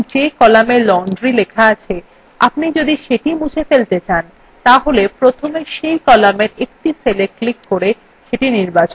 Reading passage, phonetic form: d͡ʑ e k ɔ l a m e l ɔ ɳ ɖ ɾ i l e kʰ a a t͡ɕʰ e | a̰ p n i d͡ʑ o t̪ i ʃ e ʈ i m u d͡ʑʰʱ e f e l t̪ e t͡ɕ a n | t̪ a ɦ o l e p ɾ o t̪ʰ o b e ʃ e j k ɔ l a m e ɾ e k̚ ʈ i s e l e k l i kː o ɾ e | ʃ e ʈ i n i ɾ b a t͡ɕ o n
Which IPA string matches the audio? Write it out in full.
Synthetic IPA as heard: d͡ʑ e k ɔ l a m e l ɔ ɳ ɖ ɾ i l e kʰ a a t͡ɕʰ e | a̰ p n i d͡ʑ o d̪ i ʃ e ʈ i m u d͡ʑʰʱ e f e l t̪ e t͡ɕ a n | t̪ a ɦ o l e p ɾ o t̪ʰ o m e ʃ e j k ɔ l a m e ɾ e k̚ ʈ i s e l e k l i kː o ɾ e | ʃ e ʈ i n i ɾ b a t͡ɕ o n